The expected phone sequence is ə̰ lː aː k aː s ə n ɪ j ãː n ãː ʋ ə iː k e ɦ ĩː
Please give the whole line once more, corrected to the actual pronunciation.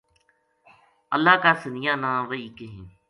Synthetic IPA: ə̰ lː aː k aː s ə n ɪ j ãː n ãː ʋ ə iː k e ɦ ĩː